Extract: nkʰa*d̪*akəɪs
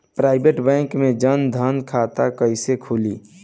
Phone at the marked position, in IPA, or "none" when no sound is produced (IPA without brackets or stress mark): t̪